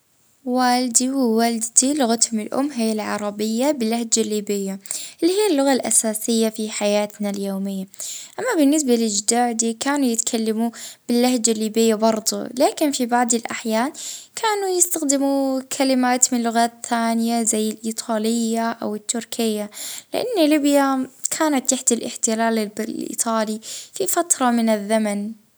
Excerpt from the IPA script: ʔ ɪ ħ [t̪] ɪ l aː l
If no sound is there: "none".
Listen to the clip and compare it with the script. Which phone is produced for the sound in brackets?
t̪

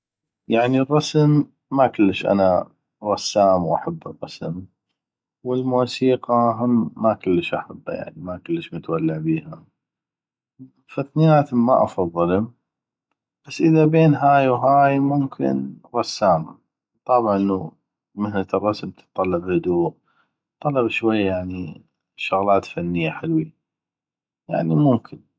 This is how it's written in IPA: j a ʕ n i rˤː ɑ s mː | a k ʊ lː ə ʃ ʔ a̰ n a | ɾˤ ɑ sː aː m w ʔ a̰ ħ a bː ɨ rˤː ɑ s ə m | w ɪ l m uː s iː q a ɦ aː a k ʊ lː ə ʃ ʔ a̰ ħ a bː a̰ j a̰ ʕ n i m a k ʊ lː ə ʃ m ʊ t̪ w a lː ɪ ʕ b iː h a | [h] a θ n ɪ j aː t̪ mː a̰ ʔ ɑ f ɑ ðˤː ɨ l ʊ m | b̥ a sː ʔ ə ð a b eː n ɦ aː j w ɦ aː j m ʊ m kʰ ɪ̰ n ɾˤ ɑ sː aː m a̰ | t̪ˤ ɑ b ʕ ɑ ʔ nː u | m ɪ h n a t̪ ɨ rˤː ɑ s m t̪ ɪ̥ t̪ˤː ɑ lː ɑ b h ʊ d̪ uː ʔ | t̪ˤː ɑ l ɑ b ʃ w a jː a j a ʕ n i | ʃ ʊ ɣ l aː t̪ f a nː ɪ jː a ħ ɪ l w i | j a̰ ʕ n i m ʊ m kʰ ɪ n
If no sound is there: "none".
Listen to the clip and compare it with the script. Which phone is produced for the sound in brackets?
f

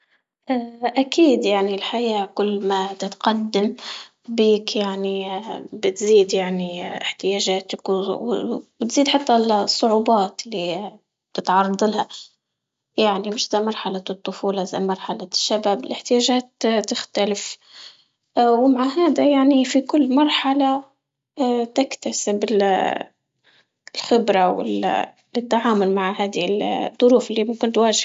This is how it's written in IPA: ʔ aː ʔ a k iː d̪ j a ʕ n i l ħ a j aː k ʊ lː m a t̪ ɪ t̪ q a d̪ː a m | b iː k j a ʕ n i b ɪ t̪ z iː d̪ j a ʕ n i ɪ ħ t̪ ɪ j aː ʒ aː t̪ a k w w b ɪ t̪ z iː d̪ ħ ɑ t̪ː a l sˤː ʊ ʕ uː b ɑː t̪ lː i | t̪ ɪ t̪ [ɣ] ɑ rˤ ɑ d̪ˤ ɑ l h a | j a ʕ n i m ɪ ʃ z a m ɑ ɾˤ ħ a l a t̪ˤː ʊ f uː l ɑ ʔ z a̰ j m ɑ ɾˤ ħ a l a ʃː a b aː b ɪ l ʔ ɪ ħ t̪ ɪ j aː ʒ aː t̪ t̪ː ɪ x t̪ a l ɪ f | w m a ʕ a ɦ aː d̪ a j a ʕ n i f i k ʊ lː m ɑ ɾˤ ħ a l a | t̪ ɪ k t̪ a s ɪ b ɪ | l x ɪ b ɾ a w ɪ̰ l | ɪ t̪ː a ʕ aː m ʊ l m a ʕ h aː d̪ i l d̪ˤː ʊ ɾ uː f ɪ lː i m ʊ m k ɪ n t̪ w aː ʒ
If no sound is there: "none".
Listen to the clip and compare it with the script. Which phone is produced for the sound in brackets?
ʕ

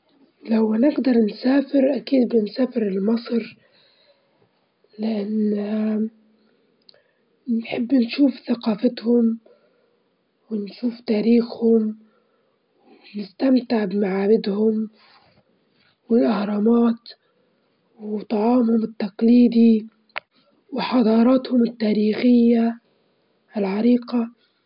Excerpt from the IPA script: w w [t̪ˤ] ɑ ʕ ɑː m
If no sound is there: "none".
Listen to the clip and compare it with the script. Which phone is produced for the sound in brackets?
t̪ˤ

